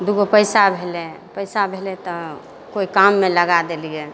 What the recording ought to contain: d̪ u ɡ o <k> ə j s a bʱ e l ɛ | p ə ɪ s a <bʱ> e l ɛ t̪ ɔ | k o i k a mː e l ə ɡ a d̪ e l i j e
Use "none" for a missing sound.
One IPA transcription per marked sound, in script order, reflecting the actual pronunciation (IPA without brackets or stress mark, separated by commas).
p, bʱ